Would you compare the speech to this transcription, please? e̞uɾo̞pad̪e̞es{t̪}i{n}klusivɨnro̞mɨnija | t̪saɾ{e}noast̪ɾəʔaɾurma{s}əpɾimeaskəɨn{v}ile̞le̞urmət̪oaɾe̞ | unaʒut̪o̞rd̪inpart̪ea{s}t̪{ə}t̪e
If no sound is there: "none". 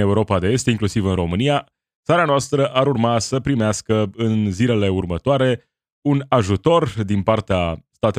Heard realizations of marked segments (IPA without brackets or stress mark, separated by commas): t̪, ŋ, a, s, z, s, a